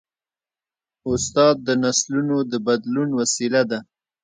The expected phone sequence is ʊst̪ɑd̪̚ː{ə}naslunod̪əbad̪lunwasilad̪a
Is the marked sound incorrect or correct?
correct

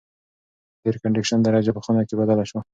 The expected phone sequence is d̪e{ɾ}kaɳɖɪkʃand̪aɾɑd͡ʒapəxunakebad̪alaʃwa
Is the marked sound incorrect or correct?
correct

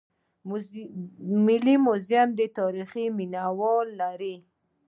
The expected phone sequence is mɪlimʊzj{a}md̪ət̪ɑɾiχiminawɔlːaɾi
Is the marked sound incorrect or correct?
correct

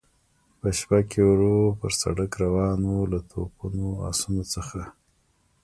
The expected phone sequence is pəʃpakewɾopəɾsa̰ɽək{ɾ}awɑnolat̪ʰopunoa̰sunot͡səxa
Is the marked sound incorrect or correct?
correct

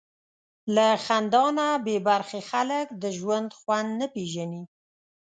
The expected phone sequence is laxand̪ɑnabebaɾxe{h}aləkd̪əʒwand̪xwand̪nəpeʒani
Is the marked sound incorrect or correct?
incorrect: x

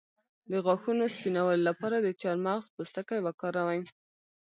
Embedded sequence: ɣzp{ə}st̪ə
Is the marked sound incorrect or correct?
correct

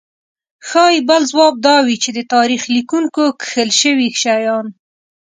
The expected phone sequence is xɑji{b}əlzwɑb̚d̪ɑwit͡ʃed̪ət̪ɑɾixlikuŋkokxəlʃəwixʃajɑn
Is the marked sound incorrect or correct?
correct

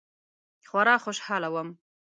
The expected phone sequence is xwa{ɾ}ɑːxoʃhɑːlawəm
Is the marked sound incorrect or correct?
correct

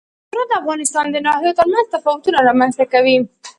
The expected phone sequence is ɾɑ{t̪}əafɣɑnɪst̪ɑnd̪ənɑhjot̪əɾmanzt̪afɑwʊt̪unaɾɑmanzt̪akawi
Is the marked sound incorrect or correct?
incorrect: d̪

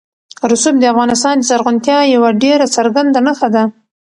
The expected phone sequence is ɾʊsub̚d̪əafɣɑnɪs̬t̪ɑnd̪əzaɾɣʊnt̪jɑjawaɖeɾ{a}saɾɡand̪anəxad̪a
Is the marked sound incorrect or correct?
correct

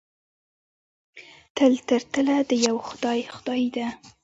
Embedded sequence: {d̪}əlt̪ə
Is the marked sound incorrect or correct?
incorrect: t̪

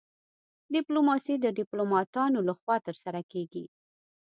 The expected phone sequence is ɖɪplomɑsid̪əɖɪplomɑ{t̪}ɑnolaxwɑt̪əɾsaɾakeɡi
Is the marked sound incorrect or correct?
correct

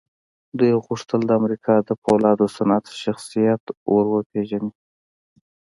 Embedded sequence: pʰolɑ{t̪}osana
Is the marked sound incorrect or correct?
incorrect: d̪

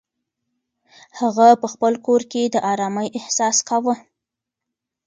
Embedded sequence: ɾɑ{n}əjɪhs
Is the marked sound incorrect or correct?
incorrect: m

